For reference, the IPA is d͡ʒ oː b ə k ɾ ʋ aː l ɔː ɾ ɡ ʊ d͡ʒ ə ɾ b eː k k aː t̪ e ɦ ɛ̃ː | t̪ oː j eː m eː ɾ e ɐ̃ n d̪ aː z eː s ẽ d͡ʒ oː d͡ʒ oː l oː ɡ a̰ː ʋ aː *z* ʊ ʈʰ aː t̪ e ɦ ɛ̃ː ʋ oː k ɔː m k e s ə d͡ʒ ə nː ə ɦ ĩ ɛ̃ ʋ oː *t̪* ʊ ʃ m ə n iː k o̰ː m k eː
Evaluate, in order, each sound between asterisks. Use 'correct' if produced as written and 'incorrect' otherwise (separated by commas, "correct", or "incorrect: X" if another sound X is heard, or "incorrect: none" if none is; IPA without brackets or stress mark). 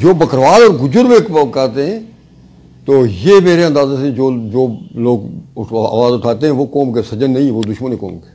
correct, incorrect: d̪